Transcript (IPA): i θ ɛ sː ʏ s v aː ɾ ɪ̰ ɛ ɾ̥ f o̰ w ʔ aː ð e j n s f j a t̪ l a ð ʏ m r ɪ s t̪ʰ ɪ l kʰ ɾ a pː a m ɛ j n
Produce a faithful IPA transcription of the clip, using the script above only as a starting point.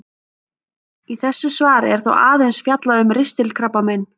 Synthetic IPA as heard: i θ ɛ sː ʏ s v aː ɾ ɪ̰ ɛ ɾ̥ θ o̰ w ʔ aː ð e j n s f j a t̪ l a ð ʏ m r ɪ s t̪ ɪ l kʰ ɾ a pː a m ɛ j n